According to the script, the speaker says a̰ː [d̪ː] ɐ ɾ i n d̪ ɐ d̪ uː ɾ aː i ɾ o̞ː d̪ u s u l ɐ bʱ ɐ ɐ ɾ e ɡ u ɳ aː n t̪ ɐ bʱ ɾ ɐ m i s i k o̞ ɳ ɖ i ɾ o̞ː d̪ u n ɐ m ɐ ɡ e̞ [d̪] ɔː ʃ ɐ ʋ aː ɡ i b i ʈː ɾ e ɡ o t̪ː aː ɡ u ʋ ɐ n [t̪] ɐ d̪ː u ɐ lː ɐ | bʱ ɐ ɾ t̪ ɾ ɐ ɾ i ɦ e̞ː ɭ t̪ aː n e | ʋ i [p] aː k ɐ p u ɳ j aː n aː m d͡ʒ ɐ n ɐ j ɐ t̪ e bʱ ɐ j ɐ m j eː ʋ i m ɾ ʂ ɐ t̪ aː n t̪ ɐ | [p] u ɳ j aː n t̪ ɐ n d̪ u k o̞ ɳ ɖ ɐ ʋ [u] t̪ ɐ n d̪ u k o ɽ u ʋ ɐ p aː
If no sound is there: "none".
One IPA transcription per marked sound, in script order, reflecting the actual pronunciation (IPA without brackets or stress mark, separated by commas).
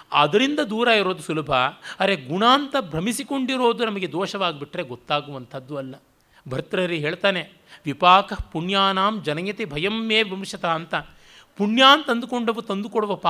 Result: d̪, d̪, t̪ʰ, p, p, u